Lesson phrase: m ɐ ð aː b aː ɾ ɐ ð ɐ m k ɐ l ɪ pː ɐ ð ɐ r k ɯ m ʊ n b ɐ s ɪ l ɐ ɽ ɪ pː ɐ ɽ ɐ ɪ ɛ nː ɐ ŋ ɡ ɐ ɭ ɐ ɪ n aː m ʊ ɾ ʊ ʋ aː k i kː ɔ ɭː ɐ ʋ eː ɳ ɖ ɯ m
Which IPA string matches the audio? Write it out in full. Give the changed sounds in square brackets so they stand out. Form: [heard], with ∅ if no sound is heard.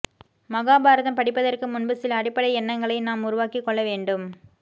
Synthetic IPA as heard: m ɐ [ɣ] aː b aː ɾ ɐ ð ɐ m [p] ɐ [ɽ] ɪ pː ɐ ð ɐ r k ɯ m ʊ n b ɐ s ɪ l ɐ ɽ ɪ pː ɐ ɽ ɐ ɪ ɛ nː ɐ ŋ ɡ ɐ ɭ ɐ ɪ n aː m ʊ ɾ ʊ ʋ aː k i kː ɔ ɭː ɐ ʋ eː ɳ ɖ ɯ m